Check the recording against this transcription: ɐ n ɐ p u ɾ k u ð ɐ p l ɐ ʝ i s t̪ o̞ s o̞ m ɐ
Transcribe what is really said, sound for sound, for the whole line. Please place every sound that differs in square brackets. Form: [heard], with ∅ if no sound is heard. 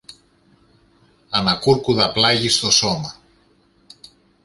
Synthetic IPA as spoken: ɐ n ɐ [k] u ɾ k u ð ɐ p l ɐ ʝ i s t̪ o̞ s o̞ m ɐ